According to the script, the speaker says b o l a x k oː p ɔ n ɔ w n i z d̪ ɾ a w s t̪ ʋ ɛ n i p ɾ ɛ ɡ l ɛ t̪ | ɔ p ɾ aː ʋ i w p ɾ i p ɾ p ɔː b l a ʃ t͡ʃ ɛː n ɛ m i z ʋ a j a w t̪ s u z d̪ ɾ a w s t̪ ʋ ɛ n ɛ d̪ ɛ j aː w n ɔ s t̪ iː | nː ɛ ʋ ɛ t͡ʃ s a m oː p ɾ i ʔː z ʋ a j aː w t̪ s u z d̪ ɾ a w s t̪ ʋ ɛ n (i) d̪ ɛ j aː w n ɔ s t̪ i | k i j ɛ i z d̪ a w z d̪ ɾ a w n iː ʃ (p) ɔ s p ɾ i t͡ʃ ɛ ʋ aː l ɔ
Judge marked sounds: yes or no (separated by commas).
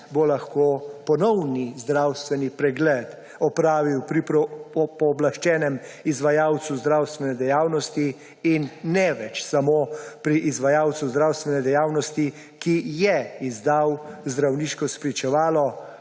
no, no